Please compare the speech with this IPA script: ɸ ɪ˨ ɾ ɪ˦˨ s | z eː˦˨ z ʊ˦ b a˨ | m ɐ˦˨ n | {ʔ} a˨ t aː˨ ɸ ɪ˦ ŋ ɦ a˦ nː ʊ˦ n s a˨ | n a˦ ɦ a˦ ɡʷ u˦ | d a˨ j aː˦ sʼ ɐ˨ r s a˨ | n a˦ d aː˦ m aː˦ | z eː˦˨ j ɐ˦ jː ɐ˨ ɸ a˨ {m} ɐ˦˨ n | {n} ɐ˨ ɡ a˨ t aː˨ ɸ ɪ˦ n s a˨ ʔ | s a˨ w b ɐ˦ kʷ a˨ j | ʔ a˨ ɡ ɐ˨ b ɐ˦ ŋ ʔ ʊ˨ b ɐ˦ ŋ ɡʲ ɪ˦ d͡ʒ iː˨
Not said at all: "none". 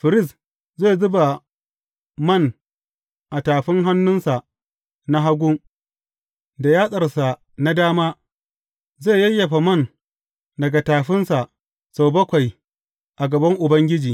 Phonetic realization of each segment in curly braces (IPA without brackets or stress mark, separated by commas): ʔ, m, d